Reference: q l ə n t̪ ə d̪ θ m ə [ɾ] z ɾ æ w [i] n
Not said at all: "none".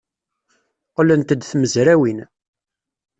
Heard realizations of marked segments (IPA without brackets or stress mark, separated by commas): none, i